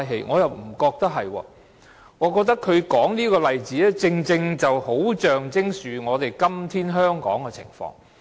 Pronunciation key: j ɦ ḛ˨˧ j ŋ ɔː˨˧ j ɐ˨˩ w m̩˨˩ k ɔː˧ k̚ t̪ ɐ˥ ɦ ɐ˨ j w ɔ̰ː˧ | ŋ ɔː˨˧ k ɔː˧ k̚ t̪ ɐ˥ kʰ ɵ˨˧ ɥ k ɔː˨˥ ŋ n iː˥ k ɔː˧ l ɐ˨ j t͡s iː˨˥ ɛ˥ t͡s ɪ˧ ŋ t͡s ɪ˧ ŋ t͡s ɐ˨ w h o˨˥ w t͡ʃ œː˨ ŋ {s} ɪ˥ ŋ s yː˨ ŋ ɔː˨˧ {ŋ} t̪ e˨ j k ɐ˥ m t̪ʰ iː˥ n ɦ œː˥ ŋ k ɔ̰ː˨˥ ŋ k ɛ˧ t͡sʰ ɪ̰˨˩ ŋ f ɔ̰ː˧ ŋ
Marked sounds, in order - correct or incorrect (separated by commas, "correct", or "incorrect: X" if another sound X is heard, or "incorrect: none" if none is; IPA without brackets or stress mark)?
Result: incorrect: t͡s, incorrect: none